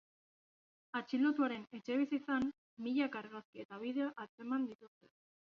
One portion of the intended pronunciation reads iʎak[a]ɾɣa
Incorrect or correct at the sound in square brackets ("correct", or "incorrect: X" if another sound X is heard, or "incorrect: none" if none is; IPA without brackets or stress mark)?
correct